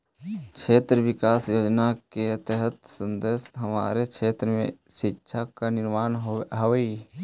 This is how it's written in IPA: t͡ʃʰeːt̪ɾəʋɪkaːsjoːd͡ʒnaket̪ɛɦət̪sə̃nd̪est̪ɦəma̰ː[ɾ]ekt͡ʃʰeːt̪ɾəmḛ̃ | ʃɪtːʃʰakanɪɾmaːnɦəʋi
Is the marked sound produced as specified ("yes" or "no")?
yes